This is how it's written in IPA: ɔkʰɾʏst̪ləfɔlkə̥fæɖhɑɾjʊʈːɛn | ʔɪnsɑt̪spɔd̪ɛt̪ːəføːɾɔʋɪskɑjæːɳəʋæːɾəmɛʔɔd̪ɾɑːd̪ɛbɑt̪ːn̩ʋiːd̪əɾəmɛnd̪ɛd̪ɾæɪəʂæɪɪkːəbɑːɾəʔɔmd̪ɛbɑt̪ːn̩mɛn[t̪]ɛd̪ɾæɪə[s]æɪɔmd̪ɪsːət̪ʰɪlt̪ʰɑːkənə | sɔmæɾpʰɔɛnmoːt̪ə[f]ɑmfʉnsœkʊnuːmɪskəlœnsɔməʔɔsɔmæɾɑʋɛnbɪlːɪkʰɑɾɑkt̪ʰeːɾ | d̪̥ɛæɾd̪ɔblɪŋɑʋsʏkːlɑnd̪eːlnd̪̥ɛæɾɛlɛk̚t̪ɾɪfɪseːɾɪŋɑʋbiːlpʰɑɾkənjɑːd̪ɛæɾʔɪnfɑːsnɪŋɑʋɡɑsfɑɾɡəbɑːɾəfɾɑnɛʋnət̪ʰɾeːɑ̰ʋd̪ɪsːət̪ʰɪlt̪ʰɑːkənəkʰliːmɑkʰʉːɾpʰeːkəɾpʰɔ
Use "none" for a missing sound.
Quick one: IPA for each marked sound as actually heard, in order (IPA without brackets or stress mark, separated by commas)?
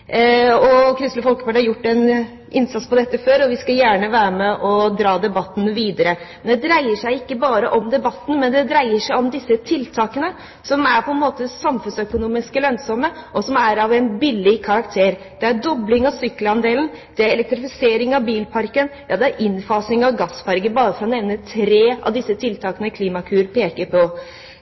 d̪, ʂ, s